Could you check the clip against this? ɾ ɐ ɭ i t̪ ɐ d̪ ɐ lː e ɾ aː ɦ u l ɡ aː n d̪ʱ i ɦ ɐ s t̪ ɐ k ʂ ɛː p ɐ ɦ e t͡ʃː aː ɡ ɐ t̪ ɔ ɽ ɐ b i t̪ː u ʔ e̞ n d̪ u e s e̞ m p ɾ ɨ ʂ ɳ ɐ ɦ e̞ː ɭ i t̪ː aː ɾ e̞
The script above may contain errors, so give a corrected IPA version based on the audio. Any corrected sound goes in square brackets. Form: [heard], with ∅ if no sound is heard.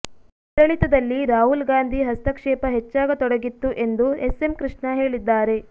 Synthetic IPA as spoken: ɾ ɐ ɭ i t̪ ɐ d̪ ɐ lː [i] ɾ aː ɦ u l ɡ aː n d̪ʱ i ɦ ɐ s t̪ ɐ k ʂ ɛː p ɐ ɦ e t͡ʃː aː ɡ ɐ t̪ ɔ ɽ ɐ [ɡ] i t̪ː u ʔ e̞ n d̪ u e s e̞ m [k] ɾ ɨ ʂ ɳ ɐ ɦ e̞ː ɭ i [d̪ː] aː ɾ e̞